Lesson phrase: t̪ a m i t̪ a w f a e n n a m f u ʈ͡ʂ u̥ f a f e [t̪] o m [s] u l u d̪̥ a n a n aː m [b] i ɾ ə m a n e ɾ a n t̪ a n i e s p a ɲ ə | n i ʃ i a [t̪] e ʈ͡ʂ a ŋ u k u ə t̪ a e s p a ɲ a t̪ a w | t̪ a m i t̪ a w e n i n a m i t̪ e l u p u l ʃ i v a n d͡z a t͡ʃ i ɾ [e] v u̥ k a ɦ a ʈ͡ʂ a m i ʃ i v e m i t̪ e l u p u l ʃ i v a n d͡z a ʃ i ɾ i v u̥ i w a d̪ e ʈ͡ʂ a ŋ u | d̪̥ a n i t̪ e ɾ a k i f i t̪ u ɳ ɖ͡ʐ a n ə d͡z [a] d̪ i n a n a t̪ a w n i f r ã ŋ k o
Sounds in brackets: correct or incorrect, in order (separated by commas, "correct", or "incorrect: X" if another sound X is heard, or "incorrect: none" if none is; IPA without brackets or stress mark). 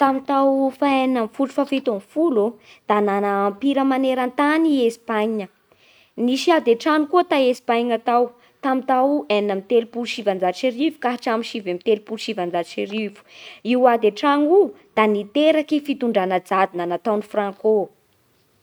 correct, incorrect: f, incorrect: p, incorrect: d̪, incorrect: i, correct